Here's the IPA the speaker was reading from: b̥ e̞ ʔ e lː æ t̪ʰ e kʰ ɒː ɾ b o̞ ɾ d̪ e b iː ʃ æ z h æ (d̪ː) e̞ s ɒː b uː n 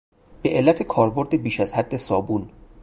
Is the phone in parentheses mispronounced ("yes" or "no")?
no